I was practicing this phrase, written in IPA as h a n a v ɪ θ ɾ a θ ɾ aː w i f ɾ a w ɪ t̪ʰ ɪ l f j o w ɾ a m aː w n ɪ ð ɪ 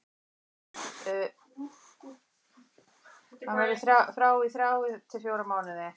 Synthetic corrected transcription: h a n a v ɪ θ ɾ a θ ɾ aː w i θ ɾ a w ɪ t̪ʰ ɪ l f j o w ɾ a m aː w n ɪ ð ɪ